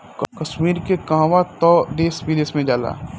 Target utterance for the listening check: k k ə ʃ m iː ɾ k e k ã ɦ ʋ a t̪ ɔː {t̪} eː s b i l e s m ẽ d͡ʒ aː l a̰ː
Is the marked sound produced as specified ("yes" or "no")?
no